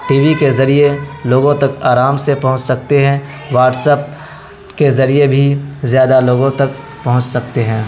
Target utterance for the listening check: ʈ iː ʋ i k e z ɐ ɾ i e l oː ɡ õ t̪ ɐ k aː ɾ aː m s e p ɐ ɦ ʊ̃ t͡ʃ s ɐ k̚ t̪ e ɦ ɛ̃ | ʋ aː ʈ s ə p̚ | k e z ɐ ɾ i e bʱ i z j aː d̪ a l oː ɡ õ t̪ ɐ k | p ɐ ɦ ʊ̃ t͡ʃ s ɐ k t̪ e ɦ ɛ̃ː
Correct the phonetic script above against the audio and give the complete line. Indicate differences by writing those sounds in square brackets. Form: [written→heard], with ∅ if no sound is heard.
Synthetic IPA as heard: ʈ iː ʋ i k e z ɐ ɾ i e l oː ɡ õ t̪ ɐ k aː ɾ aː m s e p ɐ ɦ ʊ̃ t͡ʃ s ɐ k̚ t̪ e ɦ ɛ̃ | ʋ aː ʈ s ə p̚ | k e z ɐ ɾ i e bʱ i z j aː d̪ a l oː ɡ õ t̪ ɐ k | p ɐ ɦ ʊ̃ t͡ʃ s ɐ k t̪ e ɦ ɛ̃ː